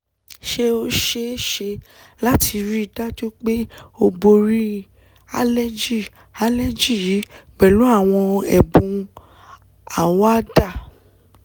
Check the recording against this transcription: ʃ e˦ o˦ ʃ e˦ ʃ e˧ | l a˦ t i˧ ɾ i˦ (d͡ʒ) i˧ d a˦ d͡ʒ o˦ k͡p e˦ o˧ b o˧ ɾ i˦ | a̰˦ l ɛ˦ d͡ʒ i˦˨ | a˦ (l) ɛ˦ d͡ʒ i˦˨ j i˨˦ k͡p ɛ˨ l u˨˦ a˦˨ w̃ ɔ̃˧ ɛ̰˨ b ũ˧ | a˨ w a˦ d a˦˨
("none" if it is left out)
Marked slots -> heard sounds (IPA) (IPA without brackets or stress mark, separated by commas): none, l